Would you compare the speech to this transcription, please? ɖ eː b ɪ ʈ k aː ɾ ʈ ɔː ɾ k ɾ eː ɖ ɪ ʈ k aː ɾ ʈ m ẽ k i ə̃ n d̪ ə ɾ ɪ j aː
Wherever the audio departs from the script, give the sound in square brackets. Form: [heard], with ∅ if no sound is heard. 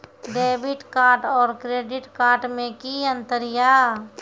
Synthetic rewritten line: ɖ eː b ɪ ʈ k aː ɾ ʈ ɔː ɾ k ɾ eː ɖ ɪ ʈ k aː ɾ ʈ m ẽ k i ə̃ n [t̪] ə ɾ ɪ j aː